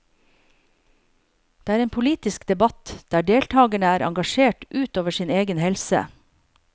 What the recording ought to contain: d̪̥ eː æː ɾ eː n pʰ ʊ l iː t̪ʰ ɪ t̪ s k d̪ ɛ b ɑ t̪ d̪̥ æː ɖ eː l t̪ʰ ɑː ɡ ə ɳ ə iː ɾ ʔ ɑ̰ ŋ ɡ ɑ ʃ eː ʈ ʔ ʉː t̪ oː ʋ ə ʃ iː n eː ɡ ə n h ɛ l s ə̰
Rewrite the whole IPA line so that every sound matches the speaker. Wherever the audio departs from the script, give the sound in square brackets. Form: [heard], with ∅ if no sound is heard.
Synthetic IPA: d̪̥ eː æː ɾ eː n pʰ ʊ l iː [t̪] ɪ [∅] s k d̪ ɛ b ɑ t̪ d̪̥ æː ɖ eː l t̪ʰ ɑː ɡ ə ɳ ə [æː] ɾ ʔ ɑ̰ ŋ ɡ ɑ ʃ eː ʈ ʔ ʉː t̪ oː ʋ ə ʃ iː n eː ɡ ə n h ɛ l s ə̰